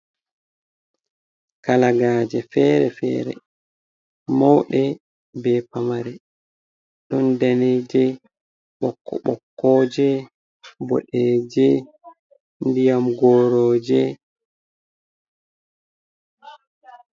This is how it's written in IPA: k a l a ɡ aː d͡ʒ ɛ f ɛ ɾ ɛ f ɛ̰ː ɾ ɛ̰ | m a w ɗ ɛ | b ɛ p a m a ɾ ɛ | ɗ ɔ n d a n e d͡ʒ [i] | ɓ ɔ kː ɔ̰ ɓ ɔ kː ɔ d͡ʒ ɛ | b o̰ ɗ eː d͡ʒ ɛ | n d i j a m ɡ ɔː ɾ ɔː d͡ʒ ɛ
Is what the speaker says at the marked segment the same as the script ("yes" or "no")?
no